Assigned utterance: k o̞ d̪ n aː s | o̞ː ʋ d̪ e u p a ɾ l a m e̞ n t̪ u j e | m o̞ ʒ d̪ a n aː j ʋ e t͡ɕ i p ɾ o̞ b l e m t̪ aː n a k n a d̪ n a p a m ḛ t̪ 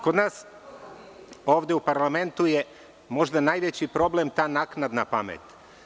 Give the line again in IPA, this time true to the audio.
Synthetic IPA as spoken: k o̞ d̪ n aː s | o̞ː ʋ d̪ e u p a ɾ l a m e̞ n t̪ u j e | m o̞ ʒ d̪ a n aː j ʋ e t͡ɕ i p ɾ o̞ b l e m t̪ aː n a k n a d̪ n a p a m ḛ t̪